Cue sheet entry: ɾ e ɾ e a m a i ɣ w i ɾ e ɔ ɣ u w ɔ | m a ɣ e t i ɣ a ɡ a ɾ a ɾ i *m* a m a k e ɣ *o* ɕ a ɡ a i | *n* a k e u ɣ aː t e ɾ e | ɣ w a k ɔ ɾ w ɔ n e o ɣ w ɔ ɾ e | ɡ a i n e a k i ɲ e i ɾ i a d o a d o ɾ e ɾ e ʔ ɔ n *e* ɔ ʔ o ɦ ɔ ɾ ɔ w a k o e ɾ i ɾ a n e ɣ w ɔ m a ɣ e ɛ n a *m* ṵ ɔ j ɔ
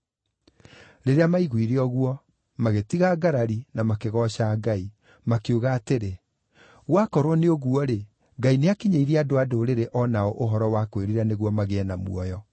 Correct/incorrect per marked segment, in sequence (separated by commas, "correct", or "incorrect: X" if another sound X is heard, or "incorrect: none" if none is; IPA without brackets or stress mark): incorrect: n, incorrect: ɔ, incorrect: m, incorrect: a, correct